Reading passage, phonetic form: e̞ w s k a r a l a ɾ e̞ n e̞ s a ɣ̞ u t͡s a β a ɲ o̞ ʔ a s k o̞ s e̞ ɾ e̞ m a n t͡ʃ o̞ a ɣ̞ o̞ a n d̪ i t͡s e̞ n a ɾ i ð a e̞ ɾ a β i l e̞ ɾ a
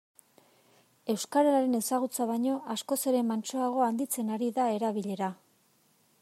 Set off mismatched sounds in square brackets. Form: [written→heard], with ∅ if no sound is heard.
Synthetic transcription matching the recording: e̞ w s k a [r→ɾ] a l a ɾ e̞ n e̞ s a ɣ̞ u t͡s a β a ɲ o̞ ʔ a s k o̞ s e̞ ɾ e̞ m a n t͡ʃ o̞ a ɣ̞ o̞ a n d̪ i t͡s e̞ n a ɾ i ð a e̞ ɾ a β i [l→ʎ] e̞ ɾ a